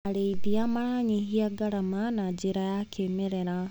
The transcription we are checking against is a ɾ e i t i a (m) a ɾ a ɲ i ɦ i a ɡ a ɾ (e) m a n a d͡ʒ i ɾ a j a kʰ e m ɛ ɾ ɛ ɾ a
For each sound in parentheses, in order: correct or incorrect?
correct, incorrect

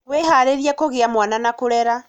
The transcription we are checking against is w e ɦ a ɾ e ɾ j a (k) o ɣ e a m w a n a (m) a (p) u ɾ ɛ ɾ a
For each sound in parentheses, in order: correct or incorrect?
correct, incorrect, incorrect

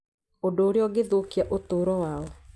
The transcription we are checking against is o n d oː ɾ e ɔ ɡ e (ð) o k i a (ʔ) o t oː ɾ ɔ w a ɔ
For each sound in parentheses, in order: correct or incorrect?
correct, correct

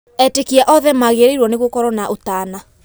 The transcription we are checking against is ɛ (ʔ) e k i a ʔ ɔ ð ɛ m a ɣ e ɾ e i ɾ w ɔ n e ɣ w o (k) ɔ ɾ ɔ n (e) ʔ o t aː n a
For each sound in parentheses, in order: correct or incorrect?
incorrect, correct, incorrect

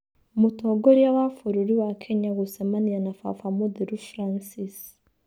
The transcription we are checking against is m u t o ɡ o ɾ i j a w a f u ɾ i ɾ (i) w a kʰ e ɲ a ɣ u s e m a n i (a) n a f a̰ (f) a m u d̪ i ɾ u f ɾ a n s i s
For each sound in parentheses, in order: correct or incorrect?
correct, correct, correct

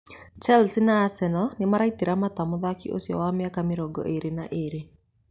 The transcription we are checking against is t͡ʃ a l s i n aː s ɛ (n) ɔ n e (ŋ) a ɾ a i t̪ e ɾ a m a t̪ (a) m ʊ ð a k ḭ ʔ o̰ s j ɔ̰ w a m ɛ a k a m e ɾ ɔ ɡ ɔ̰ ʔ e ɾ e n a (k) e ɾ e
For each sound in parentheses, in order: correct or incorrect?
correct, incorrect, correct, incorrect

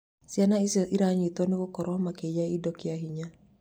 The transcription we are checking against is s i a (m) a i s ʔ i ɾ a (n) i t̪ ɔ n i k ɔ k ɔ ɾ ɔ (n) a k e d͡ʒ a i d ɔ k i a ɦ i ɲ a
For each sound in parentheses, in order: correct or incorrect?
incorrect, incorrect, incorrect

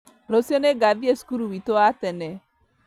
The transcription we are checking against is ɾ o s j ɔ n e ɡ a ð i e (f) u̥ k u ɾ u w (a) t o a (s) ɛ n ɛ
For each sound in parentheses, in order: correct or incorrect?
incorrect, incorrect, incorrect

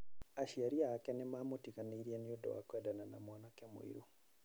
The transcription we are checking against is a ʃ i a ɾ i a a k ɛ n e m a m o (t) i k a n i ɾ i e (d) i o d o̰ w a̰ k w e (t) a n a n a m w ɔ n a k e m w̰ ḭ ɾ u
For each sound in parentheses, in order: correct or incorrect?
correct, incorrect, incorrect

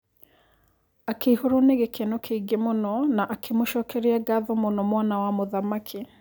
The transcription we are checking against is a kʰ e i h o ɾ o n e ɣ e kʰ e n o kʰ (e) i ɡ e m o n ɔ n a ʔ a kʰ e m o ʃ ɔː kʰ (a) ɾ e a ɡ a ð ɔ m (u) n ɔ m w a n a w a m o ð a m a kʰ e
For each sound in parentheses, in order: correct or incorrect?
correct, incorrect, incorrect

